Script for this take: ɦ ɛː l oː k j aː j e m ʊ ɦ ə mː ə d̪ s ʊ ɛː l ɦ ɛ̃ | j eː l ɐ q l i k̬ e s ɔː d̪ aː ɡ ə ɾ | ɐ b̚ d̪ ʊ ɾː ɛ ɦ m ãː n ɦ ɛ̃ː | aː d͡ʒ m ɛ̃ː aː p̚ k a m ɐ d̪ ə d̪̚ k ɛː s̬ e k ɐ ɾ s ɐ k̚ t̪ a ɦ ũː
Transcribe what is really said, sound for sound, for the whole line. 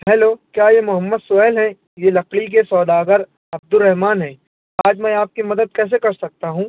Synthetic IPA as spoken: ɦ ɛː l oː k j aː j e m ʊ ɦ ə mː ə d̪ s ʊ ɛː l ɦ ɛ̃ | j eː l ɐ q l i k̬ e s ɔː d̪ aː ɡ ə ɾ | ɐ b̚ d̪ ʊ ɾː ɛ ɦ m aː n ɦ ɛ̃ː | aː d͡ʒ m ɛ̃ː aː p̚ k i m ɐ d̪ ə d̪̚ k ɛː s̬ e k ɐ ɾ s ɐ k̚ t̪ a ɦ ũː